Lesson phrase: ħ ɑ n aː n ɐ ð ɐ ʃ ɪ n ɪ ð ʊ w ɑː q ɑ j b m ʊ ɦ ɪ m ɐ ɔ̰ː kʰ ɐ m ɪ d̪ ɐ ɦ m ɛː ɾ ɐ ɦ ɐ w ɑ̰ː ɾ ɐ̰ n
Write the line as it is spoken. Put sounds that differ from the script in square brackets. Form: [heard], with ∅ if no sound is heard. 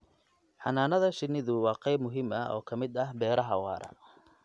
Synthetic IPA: ħ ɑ n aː n ɐ ð ɐ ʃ ɪ n ɪ ð ʊ w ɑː q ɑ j b m ʊ ɦ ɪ m ɐ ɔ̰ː kʰ ɐ m ɪ d̪ ɐ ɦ [b] ɛː ɾ ɐ ɦ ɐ w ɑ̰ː ɾ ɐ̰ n